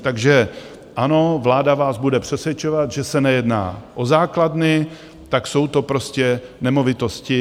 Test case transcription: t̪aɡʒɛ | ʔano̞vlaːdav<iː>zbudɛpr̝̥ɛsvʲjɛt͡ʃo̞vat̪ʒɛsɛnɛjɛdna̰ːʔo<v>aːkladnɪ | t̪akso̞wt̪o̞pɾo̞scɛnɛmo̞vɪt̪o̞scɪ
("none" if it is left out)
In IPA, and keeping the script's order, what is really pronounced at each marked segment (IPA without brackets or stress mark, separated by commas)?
aː, z